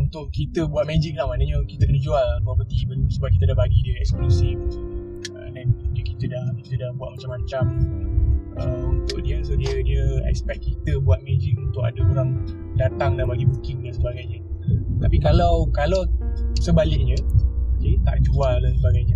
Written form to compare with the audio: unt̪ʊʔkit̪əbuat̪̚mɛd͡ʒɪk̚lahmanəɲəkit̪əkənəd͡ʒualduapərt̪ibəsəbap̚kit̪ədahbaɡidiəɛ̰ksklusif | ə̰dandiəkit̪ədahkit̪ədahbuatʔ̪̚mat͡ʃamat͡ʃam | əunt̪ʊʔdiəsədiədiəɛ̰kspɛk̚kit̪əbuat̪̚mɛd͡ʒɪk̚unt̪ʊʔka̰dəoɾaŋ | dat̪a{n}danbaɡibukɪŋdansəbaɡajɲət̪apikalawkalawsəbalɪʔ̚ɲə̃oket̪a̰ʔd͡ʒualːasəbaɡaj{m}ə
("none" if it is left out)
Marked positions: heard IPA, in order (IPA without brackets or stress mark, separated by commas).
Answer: ŋ, ɲ